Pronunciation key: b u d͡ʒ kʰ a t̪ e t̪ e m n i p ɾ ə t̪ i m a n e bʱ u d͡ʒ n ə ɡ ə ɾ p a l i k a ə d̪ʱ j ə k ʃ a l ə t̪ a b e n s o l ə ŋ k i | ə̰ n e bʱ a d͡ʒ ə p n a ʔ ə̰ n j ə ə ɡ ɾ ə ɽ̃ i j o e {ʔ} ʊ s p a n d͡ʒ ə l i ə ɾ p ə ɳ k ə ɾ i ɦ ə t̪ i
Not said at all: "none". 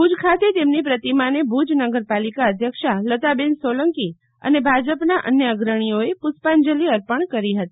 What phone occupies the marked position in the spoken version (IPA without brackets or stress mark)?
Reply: p